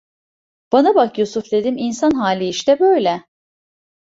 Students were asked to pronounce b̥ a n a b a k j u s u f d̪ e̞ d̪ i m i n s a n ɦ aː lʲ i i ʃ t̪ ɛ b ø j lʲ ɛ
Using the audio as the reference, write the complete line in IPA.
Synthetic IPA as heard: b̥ a n a b a k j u s u f d̪ e̞ d̪ i m i n s a n ɦ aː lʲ i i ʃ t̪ ɛ b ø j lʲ ɛ